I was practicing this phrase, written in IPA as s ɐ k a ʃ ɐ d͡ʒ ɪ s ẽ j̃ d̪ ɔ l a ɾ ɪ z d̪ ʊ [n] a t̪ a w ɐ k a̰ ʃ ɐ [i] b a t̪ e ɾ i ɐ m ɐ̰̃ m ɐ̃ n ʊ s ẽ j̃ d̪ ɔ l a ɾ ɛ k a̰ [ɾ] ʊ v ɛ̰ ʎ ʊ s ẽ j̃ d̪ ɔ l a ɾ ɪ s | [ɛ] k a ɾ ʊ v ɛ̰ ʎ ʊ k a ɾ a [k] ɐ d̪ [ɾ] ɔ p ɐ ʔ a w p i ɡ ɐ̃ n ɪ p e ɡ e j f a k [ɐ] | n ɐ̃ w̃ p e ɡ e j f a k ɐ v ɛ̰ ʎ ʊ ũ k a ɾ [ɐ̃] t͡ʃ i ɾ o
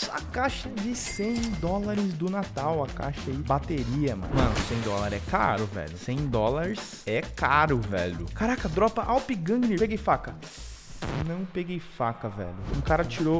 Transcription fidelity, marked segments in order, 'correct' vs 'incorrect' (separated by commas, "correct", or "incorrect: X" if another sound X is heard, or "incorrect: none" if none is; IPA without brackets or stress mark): correct, correct, correct, correct, correct, correct, correct, incorrect: ɐ